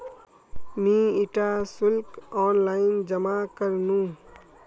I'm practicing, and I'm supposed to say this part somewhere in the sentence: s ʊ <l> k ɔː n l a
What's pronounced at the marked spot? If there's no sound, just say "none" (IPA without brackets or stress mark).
l